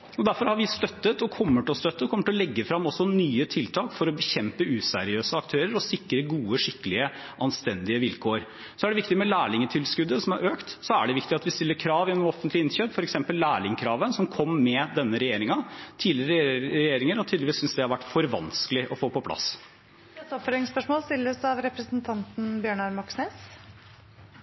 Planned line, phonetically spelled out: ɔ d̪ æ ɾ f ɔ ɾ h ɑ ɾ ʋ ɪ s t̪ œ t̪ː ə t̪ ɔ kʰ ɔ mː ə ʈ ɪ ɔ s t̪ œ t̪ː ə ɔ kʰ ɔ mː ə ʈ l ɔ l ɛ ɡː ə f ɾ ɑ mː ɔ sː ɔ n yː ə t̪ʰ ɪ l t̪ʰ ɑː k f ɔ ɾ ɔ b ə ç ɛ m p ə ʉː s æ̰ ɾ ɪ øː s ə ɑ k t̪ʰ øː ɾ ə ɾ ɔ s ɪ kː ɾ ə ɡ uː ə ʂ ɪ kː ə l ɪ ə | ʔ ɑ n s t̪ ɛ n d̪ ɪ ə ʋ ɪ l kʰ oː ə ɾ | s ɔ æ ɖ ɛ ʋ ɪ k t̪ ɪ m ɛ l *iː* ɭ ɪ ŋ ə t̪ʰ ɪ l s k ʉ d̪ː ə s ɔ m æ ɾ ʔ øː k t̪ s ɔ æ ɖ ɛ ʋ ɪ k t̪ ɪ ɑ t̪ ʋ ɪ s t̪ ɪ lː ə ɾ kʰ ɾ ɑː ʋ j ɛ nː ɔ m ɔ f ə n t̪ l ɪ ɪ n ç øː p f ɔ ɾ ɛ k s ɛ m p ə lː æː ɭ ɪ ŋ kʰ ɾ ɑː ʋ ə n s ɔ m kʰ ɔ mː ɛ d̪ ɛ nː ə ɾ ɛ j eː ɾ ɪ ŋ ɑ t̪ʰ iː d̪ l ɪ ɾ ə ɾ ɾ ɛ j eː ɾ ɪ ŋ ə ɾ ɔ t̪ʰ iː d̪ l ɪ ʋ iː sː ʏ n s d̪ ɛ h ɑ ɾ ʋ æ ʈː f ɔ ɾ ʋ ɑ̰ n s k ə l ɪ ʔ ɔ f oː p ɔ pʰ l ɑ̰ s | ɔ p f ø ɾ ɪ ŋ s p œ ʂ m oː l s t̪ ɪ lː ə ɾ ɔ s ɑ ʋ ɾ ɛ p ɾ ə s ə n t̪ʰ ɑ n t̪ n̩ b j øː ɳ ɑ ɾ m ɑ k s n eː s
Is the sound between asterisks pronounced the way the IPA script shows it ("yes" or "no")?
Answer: no